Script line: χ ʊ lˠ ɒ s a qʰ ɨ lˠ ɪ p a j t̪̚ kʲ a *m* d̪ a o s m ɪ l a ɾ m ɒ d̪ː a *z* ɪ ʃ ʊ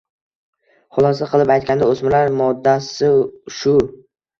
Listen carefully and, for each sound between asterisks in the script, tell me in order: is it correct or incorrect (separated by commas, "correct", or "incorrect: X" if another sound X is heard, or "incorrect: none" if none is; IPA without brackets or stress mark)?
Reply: incorrect: n, incorrect: s